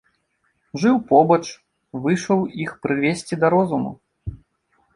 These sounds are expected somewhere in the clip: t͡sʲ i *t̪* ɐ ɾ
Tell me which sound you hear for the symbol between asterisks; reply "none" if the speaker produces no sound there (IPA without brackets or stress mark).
d̪